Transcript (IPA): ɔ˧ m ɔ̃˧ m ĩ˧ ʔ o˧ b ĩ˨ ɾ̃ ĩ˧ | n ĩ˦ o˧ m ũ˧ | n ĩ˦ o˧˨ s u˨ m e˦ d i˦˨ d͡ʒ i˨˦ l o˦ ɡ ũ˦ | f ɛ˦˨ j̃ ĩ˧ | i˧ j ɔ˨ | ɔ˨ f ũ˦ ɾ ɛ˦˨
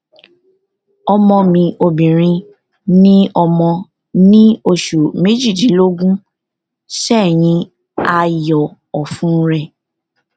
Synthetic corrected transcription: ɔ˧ m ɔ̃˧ m ĩ˧ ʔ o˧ b ĩ˨ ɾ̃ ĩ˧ | n ĩ˦ ɔ˧ m ɔ̃˧ | n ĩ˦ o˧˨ ʃ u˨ m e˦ d͡ʒ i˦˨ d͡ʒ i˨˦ l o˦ ɡ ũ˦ | ʃ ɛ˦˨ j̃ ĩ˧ | a˧ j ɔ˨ | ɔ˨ f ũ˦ ɾ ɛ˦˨